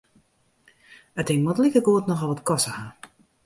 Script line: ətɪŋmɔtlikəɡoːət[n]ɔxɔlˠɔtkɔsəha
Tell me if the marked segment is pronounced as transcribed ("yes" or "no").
yes